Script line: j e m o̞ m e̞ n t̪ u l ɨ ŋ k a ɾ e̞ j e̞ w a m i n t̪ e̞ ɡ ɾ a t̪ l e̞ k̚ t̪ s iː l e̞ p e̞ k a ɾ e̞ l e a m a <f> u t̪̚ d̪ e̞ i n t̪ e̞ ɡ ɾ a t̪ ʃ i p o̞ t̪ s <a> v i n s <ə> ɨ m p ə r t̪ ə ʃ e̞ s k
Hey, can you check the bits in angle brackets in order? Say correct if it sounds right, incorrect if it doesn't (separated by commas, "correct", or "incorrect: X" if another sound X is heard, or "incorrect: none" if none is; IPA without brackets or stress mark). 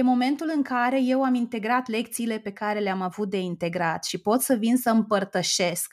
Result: incorrect: v, incorrect: ə, correct